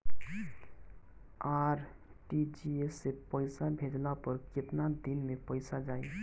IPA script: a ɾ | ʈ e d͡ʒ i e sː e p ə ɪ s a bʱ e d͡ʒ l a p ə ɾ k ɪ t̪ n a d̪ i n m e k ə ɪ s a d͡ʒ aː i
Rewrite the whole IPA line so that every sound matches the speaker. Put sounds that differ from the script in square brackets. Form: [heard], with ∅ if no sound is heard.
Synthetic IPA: a ɾ | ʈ [i] d͡ʒ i e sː e p ə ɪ s a bʱ e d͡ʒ l a p ə ɾ k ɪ t̪ n a d̪ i n m e [p] ə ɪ s a d͡ʒ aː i